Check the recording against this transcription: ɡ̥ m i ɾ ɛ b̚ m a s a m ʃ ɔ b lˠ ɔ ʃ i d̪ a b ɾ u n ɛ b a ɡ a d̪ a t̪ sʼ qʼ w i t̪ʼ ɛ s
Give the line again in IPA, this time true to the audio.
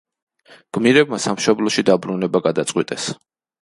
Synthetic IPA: ɡ̥ m i ɾ ɛ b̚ m a s a m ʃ ɔ b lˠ ɔ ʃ i d̪ a b ɾ u n ɛ b a ɡ a d̪ a t̪ sʼ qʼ w i t̪ʼ ɛ s